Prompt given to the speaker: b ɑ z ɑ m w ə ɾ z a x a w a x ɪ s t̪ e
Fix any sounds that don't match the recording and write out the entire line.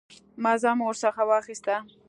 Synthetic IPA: m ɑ z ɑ m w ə ɾ s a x a w ɑ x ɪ s t̪ a